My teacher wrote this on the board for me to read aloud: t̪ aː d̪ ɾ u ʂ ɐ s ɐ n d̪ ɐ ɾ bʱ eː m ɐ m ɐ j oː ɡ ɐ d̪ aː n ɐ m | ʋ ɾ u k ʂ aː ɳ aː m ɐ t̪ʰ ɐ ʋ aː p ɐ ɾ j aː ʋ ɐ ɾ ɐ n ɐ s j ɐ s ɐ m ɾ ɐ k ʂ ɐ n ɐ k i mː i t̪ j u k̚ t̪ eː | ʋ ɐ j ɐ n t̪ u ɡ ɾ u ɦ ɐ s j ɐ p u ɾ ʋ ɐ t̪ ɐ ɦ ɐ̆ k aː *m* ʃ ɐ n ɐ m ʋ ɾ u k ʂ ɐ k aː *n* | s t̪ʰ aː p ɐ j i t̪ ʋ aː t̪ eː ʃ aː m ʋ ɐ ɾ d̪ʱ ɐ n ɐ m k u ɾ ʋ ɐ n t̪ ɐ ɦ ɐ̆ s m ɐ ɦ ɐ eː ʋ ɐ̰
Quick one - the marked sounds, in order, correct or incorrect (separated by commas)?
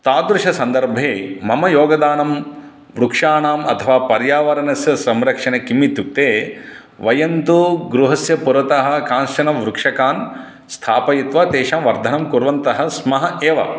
incorrect, correct